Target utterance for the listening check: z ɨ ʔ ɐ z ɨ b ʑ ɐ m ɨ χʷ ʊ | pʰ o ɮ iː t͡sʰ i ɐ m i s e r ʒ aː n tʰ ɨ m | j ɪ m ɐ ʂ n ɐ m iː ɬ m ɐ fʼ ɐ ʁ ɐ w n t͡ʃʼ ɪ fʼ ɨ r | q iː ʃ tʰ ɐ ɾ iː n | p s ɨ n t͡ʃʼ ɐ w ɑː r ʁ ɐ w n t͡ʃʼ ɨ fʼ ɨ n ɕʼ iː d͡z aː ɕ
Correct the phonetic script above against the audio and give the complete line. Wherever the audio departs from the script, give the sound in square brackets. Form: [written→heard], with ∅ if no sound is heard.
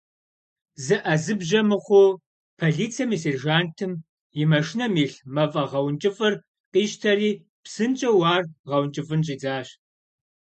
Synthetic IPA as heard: z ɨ ʔ ɐ z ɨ b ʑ ɐ m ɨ χʷ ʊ | pʰ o ɮ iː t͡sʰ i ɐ m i s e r ʒ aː n tʰ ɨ m | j ɪ m ɐ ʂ n ɐ m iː ɬ m ɐ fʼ ɐ ʁ ɐ w n t͡ʃʼ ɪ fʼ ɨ r | q iː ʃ tʰ ɐ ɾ iː [n→∅] | p s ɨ n t͡ʃʼ ɐ w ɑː r ʁ ɐ w n t͡ʃʼ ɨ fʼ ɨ n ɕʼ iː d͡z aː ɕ